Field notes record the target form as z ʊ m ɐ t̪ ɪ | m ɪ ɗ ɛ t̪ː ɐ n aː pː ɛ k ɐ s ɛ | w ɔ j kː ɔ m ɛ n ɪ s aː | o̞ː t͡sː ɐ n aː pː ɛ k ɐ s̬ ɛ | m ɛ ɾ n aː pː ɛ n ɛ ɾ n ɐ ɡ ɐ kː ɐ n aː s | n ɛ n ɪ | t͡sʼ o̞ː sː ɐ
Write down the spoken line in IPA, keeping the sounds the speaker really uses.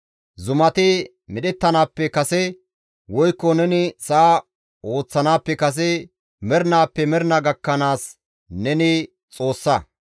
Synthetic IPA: z ʊ m ɐ t̪ ɪ | m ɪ ɗ ɛ t̪ː ɐ n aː pː ɛ k ɐ s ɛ | w ɔ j kː ɔ n ɛ n ɪ s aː | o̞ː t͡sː ɐ n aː pː ɛ k ɐ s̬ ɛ | m ɛ ɾ n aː pː ɛ m ɛ ɾ n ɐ ɡ ɐ kː ɐ n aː s | n ɛ n ɪ | t͡sʼ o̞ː sː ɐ